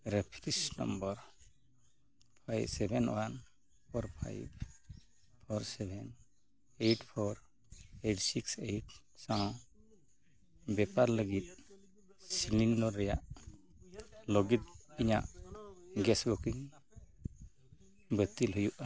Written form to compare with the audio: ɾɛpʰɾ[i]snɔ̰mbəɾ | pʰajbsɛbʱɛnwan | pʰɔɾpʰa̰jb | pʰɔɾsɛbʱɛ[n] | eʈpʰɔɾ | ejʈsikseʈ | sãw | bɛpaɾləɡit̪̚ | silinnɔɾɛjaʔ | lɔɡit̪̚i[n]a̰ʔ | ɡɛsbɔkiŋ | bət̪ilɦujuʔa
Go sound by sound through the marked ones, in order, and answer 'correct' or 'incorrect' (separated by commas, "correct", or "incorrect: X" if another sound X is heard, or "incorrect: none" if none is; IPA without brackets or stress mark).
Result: correct, correct, incorrect: ɲ